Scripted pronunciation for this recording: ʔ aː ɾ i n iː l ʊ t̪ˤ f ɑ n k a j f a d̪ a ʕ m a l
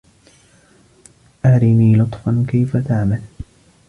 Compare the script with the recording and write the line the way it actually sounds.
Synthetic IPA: ʔ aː ɾ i n iː l ʊ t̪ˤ f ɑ n k a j f a t̪ a ʕ m a l